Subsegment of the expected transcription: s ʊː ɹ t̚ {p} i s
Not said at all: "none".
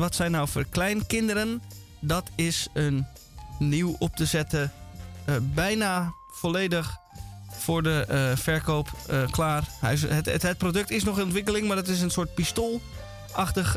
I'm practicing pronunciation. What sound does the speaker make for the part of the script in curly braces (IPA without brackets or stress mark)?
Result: p